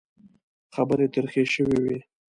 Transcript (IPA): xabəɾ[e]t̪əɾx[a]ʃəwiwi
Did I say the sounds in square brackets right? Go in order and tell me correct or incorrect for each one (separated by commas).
correct, incorrect